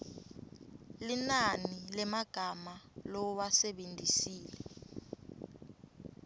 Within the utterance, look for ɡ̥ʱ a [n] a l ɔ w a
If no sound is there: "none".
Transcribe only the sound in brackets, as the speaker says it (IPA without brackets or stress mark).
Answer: m